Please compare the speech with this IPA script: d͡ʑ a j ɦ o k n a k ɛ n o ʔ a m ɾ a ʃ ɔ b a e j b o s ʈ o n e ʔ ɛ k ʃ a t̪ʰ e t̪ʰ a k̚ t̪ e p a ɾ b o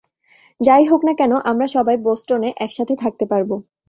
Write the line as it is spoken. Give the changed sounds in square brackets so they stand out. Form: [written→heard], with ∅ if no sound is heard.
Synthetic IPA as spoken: d͡ʑ a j ɦ o k n a k ɛ n o ʔ a m ɾ a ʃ ɔ b a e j b o s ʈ o n e ʔ ɛ k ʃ a t̪ʰ e t̪ʰ a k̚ t̪ e p a ɾ b o